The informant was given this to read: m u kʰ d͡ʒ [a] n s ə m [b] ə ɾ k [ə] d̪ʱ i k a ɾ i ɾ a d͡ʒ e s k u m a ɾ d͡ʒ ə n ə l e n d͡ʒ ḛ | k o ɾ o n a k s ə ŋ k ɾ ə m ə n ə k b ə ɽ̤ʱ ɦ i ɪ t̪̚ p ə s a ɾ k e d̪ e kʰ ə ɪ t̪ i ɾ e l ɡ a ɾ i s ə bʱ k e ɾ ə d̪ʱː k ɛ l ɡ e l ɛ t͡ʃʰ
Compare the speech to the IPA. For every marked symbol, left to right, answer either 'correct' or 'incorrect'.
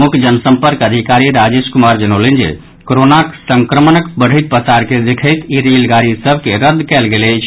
incorrect: ə, incorrect: p, correct

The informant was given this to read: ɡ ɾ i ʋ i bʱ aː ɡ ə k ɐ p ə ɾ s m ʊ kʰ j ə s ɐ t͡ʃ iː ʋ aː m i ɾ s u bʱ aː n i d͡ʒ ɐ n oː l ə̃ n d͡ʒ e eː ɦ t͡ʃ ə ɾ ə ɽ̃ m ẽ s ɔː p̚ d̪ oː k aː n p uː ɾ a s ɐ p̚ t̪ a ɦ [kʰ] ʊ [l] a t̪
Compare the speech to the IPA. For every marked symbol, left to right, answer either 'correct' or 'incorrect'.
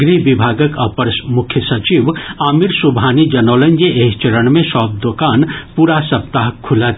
correct, correct

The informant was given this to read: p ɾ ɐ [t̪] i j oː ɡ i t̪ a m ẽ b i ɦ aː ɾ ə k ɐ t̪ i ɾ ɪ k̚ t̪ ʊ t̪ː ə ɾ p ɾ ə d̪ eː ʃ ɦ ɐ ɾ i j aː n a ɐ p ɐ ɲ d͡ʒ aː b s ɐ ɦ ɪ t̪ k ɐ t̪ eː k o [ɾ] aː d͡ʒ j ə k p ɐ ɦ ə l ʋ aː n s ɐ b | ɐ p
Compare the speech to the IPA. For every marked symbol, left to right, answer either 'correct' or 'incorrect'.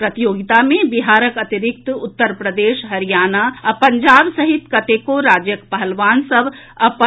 correct, correct

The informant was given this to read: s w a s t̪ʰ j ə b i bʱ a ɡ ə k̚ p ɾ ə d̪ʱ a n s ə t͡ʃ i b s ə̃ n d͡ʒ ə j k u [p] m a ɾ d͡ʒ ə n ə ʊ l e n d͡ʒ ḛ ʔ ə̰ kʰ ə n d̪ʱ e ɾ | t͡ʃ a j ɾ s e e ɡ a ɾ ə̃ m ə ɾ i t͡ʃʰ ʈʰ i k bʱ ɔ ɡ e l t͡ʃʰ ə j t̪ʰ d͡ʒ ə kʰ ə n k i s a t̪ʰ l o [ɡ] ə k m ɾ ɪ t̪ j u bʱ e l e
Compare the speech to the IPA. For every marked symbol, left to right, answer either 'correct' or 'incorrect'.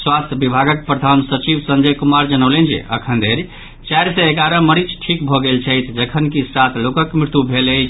incorrect: none, incorrect: k

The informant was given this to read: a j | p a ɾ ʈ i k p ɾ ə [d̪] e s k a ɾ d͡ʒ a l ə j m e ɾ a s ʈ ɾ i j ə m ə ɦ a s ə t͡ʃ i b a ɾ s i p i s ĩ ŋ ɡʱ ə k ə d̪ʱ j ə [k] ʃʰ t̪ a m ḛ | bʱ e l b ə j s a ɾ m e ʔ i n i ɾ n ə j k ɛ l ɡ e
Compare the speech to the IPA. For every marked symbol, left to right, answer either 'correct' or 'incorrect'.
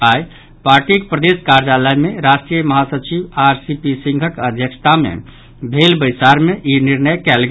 correct, correct

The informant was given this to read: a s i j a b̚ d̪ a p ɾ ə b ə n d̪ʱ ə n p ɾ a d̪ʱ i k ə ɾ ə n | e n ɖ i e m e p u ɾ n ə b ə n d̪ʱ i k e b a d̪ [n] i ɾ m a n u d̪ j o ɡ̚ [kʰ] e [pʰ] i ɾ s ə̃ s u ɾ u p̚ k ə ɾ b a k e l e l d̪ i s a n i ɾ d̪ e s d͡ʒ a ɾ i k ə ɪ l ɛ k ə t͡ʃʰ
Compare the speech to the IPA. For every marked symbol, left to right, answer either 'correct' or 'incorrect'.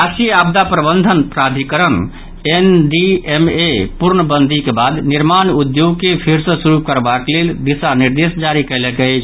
correct, incorrect: k, correct

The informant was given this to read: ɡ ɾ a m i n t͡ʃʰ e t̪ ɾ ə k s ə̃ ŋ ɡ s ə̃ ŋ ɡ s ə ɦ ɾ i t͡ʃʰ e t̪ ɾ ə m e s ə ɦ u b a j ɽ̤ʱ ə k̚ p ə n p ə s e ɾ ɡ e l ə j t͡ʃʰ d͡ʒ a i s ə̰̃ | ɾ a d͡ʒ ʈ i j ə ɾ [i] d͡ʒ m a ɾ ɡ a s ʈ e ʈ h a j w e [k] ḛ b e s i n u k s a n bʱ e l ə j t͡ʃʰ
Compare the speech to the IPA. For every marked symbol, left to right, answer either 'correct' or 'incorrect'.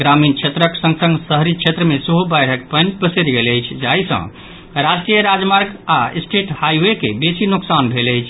incorrect: a, correct

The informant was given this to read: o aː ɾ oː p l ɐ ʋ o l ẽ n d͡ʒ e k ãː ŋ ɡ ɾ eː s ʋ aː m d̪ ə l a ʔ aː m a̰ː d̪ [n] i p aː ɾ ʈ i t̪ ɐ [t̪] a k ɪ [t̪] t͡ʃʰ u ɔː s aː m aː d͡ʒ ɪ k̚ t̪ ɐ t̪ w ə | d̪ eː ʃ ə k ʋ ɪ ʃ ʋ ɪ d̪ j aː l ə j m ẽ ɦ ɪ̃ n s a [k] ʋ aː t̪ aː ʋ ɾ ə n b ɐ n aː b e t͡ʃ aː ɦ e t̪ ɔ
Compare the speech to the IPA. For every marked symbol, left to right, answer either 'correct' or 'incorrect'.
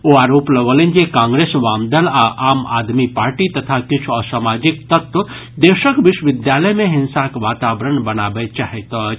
incorrect: m, incorrect: t̪ʰ, incorrect: none, correct

